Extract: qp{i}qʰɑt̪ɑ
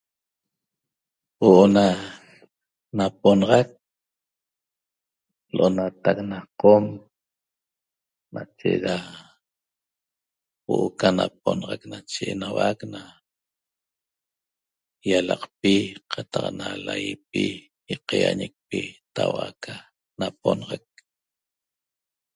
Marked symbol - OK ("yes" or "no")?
yes